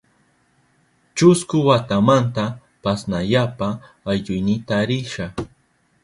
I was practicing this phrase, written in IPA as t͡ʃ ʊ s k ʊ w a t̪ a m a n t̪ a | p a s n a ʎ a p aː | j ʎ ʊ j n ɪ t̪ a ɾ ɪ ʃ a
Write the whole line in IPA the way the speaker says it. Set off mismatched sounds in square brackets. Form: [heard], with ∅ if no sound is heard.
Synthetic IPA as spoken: t͡ʃ ʊ s k ʊ w a t̪ a m a n t̪ a | p a s n a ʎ a p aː | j ʎ ʊ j n ɪ t̪ a ɾ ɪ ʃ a